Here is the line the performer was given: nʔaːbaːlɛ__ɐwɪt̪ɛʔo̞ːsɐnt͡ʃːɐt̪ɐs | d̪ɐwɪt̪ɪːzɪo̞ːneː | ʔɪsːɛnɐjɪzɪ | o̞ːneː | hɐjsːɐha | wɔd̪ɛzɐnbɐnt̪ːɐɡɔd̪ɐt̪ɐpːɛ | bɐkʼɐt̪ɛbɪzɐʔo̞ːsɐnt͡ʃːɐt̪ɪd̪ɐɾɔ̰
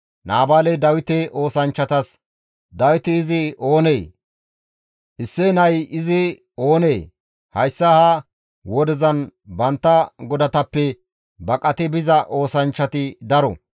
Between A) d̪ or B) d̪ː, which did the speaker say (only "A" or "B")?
A